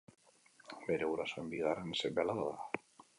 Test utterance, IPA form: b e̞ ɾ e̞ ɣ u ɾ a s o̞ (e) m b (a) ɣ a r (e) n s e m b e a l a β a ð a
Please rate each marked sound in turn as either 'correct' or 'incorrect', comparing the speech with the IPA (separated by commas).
correct, incorrect, correct